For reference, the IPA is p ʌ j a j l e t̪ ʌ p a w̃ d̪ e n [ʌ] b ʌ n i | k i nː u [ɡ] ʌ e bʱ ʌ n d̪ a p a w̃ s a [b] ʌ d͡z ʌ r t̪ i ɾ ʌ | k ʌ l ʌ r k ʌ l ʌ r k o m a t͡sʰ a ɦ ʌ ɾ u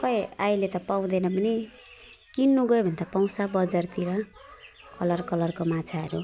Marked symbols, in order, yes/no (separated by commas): yes, yes, yes